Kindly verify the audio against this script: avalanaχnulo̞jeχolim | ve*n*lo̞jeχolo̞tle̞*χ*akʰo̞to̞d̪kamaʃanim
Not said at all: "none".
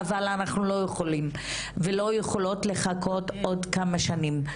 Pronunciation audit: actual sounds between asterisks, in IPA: none, χ

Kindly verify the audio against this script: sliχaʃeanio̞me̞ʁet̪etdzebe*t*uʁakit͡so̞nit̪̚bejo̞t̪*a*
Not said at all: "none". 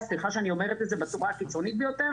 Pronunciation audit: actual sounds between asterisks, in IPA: t͡s, e

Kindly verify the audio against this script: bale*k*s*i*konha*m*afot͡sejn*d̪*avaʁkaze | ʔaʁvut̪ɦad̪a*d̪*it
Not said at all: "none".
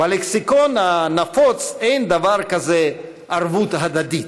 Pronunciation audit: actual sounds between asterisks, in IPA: k, i, n, d̪, d̪

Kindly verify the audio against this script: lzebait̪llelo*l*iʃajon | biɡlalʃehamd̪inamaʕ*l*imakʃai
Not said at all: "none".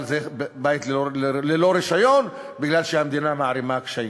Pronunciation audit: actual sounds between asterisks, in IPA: ɾ, ɾ

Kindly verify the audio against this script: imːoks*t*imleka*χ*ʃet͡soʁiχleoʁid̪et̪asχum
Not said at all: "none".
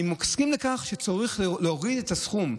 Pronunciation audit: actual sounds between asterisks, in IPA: k, χ

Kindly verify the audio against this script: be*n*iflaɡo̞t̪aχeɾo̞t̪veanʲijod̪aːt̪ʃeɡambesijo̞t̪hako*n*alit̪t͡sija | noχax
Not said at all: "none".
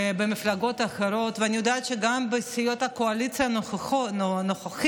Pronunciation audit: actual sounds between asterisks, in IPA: m, none

